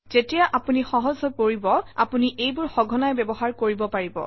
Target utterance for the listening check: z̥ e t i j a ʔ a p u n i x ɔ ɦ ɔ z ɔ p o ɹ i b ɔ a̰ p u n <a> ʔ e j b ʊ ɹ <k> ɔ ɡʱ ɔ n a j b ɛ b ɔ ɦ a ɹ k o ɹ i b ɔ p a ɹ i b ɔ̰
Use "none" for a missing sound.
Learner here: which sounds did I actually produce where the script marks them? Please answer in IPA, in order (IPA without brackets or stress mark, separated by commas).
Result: i, x